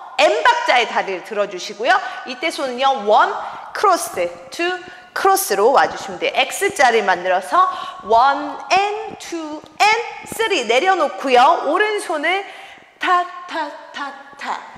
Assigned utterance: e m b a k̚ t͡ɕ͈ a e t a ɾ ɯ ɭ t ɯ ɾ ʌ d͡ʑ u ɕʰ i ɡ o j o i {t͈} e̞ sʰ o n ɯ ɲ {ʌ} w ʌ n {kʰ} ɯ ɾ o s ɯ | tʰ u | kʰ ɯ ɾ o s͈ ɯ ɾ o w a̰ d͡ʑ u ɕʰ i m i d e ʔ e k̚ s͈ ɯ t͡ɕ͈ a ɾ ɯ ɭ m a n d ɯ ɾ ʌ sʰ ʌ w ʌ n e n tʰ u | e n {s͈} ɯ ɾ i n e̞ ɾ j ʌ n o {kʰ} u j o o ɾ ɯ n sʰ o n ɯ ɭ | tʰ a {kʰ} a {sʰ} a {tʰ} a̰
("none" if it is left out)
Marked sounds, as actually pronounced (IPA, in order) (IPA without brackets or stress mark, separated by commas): t͈, ʌ, kʰ, s͈, kʰ, tʰ, tʰ, tʰ